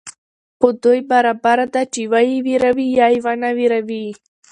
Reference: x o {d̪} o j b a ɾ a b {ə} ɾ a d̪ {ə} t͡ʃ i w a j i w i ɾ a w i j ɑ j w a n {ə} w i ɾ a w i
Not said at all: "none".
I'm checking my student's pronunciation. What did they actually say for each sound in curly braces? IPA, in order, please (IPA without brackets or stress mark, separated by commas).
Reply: d̪, a, a, a